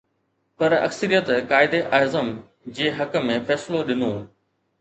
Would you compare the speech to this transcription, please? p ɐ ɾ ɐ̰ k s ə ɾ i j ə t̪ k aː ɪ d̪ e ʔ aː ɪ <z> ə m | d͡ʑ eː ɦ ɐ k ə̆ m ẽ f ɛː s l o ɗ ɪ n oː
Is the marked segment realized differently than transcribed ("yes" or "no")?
no